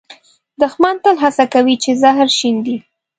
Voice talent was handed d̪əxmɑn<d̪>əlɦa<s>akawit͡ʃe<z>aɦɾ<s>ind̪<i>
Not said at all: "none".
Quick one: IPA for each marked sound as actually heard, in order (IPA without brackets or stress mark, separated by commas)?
t̪, s, z, ʃ, i